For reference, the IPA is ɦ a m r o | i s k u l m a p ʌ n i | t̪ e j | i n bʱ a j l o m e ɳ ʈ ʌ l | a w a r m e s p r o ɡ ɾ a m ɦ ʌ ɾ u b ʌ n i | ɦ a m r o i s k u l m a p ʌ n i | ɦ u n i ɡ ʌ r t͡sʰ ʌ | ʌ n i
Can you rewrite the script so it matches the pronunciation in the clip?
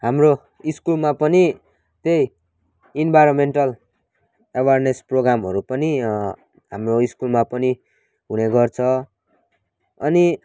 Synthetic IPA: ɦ a m r o | i s k u l m a p ʌ n i | t̪ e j | i n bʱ a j ɾ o m e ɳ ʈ ʌ l | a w a r n e s p r o ɡ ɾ a m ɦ ʌ ɾ u p ʌ n i | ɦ a m r o i s k u l m a p ʌ n i | ɦ u n e ɡ ʌ r t͡sʰ ʌ | ʌ n i